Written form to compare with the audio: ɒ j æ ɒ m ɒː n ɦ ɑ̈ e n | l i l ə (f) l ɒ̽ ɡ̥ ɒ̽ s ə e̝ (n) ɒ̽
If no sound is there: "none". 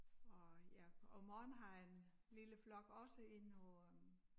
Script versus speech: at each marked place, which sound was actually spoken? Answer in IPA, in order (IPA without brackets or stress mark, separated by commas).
f, n